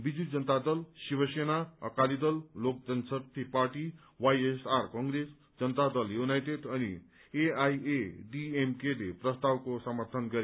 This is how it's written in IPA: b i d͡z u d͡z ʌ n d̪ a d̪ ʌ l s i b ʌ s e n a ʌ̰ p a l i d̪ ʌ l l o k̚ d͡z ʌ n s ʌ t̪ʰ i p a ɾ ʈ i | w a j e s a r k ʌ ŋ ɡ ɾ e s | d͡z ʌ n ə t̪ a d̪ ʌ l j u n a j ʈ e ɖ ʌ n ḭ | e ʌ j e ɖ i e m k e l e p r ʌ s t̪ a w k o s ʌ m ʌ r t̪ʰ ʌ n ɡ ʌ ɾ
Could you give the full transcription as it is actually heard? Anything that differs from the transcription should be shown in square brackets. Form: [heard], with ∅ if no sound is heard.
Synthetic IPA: b i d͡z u d͡z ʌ n [t̪] a d̪ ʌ l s i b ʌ s e n a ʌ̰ [k] a l i d̪ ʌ l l o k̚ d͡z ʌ n s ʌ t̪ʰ i p a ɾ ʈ i | w a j e s a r k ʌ ŋ ɡ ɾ e s | d͡z ʌ n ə t̪ a d̪ ʌ l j u n a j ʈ e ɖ ʌ n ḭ | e [a] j e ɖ i e m k e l e p r ʌ s t̪ a w k o s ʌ m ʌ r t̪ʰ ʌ n ɡ ʌ ɾ